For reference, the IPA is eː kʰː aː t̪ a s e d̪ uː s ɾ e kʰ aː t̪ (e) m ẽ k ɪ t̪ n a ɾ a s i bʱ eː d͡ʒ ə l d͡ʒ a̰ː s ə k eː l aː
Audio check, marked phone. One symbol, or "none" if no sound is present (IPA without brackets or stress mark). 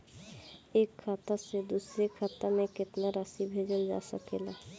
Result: a